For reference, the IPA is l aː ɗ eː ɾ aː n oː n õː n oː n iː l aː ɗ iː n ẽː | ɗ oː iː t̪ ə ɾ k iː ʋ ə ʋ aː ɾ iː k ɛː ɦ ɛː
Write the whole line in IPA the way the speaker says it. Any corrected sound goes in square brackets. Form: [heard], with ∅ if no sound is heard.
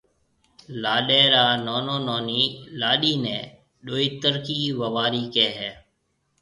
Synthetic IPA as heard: l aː ɗ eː ɾ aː n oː n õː n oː n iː l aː ɗ iː n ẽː | ɗ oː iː t̪ ə ɾ k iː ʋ ə ʋ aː ɾ iː k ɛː ɦ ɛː